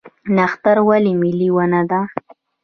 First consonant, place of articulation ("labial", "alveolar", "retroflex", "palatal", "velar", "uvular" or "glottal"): alveolar